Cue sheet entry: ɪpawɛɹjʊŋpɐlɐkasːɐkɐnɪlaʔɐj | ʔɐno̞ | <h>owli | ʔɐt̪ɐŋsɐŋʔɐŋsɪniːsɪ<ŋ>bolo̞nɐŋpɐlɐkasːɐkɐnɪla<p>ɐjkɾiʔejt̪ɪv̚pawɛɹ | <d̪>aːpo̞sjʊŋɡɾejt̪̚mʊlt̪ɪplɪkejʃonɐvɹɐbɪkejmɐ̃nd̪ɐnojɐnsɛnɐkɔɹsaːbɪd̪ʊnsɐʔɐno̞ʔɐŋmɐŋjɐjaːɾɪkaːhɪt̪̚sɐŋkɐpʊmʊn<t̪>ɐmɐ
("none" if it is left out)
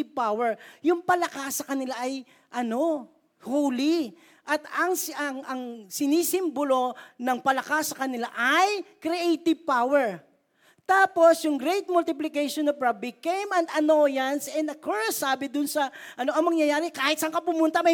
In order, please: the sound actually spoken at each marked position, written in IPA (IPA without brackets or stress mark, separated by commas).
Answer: h, m, ʔ, t̪, t̪